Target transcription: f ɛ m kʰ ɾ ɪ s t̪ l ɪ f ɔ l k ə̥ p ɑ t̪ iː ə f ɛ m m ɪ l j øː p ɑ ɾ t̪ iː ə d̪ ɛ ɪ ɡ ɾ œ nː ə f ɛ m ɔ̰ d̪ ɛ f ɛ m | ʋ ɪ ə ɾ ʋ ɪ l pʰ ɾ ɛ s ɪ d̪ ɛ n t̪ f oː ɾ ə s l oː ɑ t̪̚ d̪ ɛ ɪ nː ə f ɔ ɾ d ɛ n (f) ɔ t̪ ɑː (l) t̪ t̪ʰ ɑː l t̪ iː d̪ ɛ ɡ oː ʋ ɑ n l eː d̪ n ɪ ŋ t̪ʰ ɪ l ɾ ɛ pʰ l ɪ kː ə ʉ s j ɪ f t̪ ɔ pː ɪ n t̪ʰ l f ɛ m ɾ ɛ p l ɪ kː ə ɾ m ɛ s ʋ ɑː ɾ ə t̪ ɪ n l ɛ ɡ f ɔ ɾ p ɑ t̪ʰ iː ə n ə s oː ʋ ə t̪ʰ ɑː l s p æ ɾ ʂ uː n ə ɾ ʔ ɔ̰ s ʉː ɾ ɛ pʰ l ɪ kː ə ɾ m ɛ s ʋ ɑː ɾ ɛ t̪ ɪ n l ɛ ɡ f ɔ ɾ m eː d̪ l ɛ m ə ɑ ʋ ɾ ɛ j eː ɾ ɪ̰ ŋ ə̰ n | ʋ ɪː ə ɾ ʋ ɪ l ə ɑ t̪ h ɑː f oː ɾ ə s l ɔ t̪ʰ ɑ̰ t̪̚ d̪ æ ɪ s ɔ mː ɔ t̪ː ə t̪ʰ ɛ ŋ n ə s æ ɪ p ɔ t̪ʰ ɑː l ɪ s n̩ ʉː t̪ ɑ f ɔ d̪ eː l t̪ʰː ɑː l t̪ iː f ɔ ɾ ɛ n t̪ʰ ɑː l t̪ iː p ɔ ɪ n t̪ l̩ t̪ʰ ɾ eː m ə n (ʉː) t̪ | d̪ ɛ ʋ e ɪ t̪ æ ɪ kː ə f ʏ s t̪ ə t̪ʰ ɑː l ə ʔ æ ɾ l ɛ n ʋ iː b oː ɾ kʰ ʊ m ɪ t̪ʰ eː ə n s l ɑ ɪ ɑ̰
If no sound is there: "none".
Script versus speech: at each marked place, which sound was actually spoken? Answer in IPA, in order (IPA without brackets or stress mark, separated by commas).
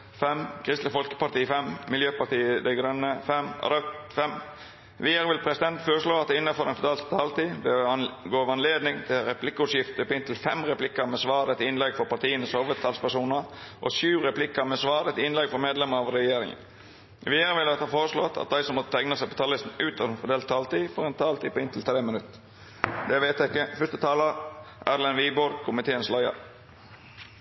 f, l, ʉ